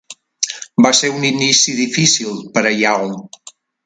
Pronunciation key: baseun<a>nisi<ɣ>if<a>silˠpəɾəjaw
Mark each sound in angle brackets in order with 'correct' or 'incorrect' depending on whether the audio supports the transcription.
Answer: incorrect, incorrect, incorrect

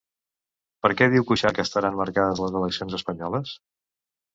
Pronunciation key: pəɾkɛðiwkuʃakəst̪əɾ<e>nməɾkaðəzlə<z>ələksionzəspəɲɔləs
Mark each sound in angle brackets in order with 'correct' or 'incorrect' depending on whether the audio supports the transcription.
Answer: incorrect, correct

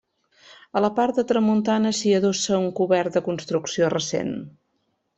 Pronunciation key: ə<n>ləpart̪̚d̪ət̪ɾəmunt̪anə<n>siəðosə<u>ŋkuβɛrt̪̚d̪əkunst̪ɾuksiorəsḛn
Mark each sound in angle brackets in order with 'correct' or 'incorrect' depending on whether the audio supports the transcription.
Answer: incorrect, incorrect, correct

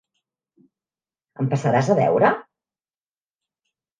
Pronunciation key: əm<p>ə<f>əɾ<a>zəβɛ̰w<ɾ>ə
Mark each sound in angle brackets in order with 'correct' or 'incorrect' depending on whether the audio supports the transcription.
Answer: correct, incorrect, correct, correct

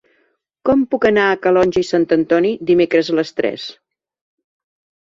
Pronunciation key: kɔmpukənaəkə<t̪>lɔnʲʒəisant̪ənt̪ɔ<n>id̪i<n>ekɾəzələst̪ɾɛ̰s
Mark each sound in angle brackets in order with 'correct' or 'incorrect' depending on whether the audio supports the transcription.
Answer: incorrect, correct, incorrect

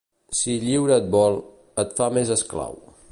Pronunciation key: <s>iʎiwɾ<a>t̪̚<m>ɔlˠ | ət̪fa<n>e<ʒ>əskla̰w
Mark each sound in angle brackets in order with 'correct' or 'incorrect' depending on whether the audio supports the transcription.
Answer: correct, incorrect, incorrect, incorrect, incorrect

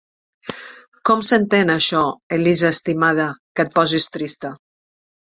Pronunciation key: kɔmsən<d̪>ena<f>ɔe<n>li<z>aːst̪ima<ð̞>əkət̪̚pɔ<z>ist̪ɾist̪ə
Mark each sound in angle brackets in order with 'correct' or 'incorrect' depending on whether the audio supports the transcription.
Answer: incorrect, incorrect, incorrect, correct, correct, correct

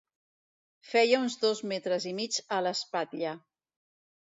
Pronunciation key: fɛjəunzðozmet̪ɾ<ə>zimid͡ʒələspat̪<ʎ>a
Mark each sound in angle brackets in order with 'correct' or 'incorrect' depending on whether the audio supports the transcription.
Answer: correct, correct

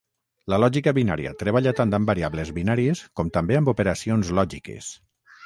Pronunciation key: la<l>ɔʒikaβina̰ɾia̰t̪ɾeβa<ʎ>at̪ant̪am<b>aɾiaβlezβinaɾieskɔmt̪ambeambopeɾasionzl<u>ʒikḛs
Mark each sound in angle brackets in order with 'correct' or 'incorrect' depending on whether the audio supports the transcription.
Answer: correct, correct, correct, incorrect

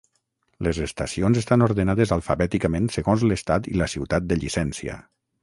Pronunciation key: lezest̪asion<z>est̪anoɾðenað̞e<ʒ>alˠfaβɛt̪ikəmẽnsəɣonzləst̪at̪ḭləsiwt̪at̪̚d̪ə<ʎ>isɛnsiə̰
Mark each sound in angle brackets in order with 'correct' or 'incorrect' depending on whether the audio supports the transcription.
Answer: correct, incorrect, correct

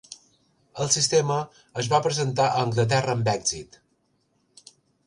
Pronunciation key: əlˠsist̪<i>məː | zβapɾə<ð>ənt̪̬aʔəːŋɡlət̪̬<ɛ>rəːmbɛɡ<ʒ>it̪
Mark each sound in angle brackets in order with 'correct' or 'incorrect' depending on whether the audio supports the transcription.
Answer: incorrect, incorrect, correct, incorrect

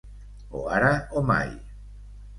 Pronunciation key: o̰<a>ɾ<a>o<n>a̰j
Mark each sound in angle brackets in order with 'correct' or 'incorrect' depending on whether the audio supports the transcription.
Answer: correct, correct, incorrect

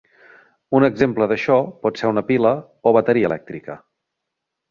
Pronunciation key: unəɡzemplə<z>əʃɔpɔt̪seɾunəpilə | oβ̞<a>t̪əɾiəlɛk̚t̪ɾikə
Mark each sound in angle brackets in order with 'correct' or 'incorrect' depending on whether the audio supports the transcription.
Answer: incorrect, incorrect

